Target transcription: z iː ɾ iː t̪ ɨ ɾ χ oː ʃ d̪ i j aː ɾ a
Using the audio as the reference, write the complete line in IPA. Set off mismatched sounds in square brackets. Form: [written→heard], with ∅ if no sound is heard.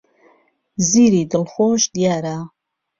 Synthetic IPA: z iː ɾ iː [t̪→d̪] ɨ [ɾ→l] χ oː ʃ d̪ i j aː ɾ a